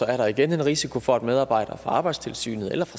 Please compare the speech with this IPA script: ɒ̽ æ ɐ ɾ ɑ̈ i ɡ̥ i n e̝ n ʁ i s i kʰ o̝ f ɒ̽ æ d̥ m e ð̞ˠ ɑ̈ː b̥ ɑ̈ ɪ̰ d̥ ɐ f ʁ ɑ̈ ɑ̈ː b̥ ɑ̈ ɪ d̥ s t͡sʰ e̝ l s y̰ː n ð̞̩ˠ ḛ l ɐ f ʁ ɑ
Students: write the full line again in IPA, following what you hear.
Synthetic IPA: ɒ̽ æ ɐ ɾ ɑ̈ i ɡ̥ e n e̝ n ʁ i s i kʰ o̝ f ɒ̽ æ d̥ m e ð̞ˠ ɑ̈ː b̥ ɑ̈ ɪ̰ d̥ ɐ f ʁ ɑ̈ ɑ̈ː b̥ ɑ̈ ɪ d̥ s t͡sʰ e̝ l s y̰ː n ð̞̩ˠ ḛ l ɐ f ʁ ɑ